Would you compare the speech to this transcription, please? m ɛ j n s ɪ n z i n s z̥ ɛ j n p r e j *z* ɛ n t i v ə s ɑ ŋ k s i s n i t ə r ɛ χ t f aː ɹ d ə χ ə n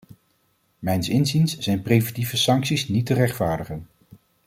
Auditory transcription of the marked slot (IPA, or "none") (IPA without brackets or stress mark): v